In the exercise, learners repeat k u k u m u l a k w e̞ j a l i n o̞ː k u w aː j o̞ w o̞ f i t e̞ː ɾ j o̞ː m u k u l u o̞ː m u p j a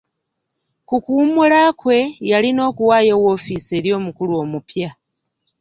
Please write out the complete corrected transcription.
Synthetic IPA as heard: k u k u m u l a k w e̞ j a l i n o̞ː k u w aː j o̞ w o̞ f i s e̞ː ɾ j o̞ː m u k u l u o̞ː m u p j a